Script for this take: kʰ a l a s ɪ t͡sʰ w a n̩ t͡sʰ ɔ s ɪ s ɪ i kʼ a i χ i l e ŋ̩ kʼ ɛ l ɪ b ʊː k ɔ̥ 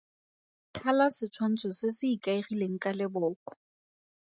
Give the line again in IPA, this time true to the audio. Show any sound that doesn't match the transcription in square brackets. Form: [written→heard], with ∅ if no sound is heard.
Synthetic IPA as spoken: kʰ a l a s ɪ t͡sʰ w a n̩ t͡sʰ ɔ s ɪ s ɪ i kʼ a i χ i l e ŋ̩ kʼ [ɛ→a] l ɪ b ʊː k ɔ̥

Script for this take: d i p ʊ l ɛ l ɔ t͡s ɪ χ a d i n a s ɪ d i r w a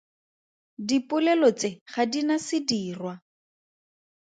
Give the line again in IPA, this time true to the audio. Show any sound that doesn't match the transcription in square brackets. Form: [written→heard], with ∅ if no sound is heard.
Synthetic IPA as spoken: d i p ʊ l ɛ l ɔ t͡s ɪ χ a d i n a s ɪ d [i→iː] r w a

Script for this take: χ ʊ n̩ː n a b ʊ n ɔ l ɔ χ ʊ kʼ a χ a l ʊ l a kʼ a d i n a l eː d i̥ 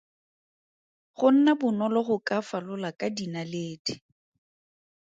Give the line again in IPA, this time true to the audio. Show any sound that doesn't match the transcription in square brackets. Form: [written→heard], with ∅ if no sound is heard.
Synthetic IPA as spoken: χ ʊ [n̩ː→n̩] n a b ʊ n ɔ l ɔ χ ʊ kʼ a [χ→f] a l ʊ l a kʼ a d i n a l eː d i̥

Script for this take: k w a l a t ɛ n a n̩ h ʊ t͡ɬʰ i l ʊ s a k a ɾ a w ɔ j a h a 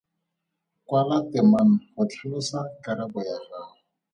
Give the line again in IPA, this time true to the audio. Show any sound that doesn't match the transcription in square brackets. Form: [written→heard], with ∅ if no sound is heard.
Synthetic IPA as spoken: k w a l a t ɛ [n→m] a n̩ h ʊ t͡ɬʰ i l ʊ s a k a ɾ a [w→b] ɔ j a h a

